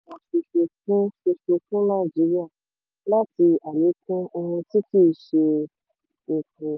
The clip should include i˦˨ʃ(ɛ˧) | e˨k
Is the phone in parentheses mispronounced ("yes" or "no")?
yes